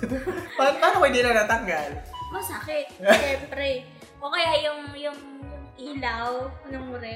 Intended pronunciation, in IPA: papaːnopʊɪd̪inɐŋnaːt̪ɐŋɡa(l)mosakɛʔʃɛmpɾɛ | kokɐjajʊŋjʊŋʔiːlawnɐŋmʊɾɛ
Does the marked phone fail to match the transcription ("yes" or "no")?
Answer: no